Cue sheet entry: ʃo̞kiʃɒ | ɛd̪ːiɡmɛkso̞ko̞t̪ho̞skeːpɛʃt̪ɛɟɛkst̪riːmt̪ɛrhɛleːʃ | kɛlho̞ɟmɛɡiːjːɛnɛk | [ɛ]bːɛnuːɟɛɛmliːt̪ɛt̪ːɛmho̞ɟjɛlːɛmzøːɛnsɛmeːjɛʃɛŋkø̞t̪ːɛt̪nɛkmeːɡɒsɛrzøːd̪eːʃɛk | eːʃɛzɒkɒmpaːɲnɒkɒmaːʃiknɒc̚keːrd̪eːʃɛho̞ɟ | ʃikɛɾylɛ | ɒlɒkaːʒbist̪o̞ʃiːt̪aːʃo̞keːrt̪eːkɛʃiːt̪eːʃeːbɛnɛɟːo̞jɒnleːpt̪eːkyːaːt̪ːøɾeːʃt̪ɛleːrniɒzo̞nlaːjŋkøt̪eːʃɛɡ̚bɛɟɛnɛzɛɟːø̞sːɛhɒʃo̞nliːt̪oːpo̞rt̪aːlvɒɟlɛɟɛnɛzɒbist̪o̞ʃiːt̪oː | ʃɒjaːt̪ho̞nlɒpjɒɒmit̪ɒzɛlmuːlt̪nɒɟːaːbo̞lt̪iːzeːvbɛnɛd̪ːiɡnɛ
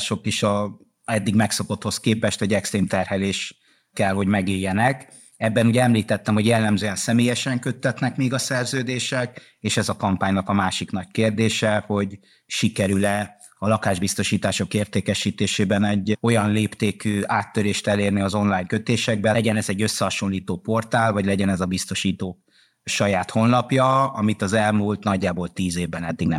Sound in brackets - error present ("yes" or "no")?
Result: no